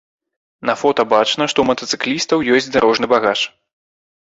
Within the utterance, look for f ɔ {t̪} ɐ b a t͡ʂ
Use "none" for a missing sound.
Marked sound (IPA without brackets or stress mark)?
t̪